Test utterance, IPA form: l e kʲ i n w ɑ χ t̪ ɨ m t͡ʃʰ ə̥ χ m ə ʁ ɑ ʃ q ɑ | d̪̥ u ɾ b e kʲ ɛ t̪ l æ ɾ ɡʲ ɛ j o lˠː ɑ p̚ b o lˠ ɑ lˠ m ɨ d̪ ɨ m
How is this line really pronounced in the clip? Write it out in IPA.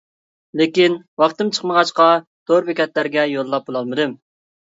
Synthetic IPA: l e kʲ i n w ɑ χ t̪ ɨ m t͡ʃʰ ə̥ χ m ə ʁ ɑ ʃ q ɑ | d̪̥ o ɾ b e kʲ ɛ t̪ l æ ɾ ɡʲ ɛ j o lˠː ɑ p̚ b o lˠ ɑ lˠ m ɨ d̪ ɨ m